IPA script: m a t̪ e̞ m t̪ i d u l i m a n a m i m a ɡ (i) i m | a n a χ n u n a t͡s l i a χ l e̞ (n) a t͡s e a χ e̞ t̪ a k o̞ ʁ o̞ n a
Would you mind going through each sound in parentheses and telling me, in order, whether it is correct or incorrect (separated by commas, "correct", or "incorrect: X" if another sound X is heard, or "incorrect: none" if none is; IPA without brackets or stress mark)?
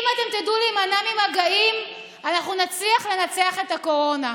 incorrect: a, correct